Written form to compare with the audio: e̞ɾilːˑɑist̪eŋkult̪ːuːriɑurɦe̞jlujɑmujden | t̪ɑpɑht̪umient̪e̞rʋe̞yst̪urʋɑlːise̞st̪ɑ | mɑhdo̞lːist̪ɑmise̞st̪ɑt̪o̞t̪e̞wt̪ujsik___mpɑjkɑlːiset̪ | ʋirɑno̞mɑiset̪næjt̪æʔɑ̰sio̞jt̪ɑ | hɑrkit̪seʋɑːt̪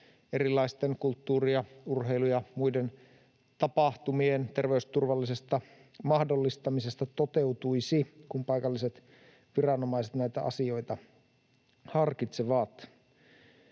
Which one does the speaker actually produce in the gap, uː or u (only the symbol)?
u